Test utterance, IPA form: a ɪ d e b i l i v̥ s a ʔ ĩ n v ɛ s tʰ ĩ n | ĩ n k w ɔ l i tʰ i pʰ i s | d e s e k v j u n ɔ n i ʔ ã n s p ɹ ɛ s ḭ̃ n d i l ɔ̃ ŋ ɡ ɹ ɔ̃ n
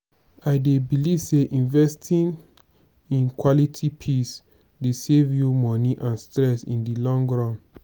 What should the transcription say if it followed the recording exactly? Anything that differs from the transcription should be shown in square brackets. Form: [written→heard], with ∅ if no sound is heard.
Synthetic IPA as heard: a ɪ d e b i l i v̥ s [a→e] ʔ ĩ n v ɛ s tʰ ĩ n | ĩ n k w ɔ l i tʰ i pʰ i s | d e s e [k→∅] v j u [n→m] ɔ n i ʔ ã n s [p→t] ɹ ɛ s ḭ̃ n d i l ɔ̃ ŋ ɡ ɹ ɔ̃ n